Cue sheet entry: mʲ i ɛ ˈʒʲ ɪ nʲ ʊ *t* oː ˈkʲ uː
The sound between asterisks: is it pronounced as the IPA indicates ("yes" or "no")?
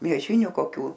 no